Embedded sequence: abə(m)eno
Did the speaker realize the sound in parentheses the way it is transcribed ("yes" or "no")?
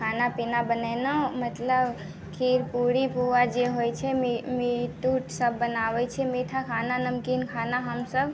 no